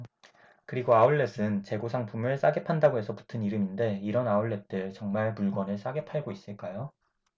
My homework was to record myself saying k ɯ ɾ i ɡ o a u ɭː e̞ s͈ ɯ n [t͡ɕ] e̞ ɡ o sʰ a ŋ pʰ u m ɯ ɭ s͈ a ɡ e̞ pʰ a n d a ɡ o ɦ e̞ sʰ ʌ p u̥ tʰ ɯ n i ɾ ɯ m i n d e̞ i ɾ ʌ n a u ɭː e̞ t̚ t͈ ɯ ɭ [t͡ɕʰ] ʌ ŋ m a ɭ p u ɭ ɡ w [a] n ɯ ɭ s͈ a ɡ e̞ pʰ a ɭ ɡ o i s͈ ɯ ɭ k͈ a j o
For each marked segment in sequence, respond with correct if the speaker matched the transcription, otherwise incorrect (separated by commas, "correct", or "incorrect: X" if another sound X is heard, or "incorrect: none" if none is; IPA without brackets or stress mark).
correct, incorrect: t͡ɕ, incorrect: ʌ